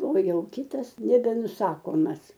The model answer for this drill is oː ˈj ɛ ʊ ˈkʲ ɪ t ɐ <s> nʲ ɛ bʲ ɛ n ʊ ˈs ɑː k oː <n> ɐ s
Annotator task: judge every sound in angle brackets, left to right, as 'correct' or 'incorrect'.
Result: correct, incorrect: m

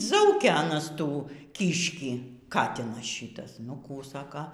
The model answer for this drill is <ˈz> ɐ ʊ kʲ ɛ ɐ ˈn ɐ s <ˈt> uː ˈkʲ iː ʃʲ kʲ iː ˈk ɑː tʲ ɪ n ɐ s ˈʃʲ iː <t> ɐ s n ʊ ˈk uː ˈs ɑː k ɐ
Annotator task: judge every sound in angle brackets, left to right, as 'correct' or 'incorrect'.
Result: correct, correct, correct

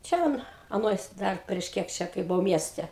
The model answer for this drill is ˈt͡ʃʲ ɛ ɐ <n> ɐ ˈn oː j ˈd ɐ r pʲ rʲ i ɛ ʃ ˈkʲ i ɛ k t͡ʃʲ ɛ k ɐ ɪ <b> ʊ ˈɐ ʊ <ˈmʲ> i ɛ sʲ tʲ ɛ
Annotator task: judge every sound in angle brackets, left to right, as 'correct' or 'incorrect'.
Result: correct, correct, correct

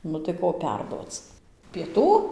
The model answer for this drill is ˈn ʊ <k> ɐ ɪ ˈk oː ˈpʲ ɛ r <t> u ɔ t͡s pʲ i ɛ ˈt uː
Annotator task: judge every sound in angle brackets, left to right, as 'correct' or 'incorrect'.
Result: incorrect: t, incorrect: d

